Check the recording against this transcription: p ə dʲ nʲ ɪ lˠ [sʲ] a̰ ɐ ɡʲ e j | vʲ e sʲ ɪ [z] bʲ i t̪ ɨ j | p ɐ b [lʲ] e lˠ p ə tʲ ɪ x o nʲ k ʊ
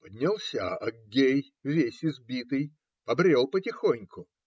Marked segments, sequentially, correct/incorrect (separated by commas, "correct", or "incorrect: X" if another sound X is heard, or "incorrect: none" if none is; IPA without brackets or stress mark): correct, correct, incorrect: ɾʲ